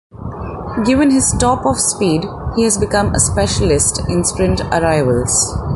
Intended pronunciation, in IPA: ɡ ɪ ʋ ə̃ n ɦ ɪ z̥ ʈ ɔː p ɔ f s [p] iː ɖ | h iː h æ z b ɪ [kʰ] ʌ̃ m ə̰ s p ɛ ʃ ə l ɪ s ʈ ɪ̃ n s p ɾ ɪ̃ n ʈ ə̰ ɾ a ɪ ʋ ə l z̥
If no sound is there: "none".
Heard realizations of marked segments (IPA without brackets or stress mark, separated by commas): p, k